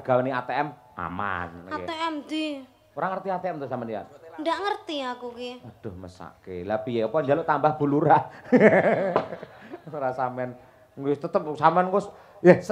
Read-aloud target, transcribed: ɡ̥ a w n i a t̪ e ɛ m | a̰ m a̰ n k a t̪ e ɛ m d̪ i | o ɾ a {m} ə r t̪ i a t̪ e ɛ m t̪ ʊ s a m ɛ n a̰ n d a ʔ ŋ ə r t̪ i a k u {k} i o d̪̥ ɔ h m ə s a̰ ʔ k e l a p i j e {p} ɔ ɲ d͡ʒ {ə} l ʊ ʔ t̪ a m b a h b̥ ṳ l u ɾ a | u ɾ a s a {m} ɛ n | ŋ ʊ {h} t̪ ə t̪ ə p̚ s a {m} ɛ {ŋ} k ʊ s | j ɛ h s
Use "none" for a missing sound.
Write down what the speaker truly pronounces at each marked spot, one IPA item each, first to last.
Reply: ŋ, k, p, a, m, s, m, n

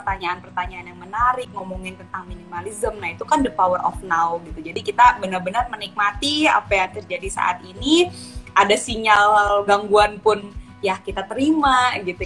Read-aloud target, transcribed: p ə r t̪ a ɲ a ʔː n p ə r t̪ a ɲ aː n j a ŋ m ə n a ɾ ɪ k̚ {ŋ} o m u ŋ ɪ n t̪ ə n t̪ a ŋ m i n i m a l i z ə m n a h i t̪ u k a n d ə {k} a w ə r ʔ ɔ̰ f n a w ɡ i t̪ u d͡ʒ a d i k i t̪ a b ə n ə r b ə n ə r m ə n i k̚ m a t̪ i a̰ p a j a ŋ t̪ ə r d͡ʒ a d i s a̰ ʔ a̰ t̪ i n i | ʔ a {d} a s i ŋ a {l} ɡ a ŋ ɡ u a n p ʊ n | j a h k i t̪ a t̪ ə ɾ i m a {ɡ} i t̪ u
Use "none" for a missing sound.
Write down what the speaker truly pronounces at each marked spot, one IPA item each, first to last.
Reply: ŋ, p, d, l, ɡ

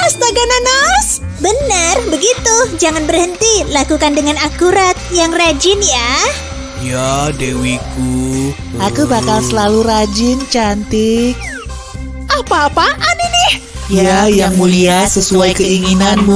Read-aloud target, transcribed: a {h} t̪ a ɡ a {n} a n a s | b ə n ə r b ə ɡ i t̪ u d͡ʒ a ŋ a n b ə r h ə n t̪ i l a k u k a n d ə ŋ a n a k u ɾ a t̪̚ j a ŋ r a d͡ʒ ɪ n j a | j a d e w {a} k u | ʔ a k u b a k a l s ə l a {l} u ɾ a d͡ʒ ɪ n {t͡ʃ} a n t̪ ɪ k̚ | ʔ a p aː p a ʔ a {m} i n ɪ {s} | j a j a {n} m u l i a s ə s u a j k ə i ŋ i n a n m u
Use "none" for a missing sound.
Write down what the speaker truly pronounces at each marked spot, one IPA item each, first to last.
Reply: s, n, i, l, t͡ʃ, n, h, ŋ

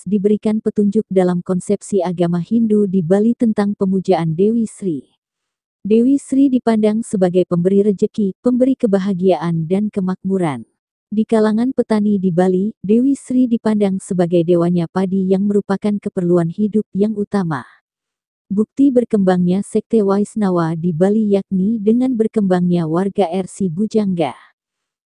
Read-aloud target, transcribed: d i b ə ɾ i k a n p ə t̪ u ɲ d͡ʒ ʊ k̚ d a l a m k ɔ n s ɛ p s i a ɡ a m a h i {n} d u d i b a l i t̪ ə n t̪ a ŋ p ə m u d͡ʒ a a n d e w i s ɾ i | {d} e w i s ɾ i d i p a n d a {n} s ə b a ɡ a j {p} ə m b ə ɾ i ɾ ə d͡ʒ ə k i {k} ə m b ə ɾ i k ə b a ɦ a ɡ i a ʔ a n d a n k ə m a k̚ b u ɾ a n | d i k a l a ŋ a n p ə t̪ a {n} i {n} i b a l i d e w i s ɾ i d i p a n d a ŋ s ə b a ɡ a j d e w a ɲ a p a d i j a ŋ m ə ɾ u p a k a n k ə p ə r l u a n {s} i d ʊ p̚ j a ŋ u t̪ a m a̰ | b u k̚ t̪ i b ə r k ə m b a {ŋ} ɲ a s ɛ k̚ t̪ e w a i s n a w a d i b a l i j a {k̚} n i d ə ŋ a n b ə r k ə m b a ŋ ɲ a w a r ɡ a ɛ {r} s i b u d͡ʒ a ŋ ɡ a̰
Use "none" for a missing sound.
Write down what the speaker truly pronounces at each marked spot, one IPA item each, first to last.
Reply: n, d, ŋ, p, p, n, d, h, ŋ, k̚, r

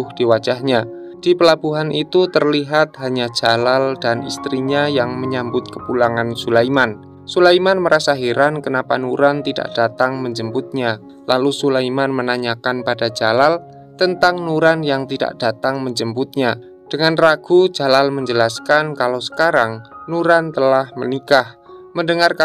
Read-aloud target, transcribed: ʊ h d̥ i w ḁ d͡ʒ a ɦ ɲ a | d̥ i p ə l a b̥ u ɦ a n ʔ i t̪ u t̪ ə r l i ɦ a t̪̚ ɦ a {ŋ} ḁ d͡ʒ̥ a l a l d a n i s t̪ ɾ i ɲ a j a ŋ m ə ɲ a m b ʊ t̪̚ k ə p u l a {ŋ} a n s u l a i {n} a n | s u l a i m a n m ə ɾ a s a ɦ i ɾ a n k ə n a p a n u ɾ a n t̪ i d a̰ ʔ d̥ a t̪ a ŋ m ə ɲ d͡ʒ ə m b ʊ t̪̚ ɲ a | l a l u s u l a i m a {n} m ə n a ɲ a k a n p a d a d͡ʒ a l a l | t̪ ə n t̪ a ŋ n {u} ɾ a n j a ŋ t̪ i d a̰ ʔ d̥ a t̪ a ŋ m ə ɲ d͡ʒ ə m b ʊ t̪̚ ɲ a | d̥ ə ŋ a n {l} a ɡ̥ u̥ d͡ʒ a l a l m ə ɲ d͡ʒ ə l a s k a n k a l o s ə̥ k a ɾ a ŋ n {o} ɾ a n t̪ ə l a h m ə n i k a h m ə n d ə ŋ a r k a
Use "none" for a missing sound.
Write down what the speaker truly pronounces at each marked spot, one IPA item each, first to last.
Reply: ɲ, ŋ, m, n, u, r, u

